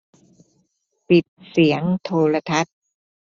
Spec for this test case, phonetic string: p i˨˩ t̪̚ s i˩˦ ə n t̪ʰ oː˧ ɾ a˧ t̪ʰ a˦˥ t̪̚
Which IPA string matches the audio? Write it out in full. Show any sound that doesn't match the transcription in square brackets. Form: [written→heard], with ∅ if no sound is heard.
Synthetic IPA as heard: p i˨˩ t̪̚ s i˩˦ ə [n→ŋ] t̪ʰ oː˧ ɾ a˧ t̪ʰ a˦˥ t̪̚